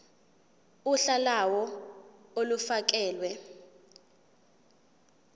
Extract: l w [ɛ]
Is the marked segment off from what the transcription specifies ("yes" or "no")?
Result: no